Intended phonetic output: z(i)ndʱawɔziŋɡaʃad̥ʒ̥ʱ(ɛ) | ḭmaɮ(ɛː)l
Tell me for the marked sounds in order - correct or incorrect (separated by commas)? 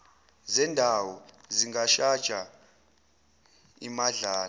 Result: incorrect, incorrect, incorrect